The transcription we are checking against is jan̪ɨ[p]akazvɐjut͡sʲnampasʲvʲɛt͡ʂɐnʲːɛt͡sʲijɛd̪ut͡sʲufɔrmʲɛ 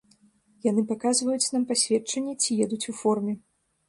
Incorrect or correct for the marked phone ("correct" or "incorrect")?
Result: correct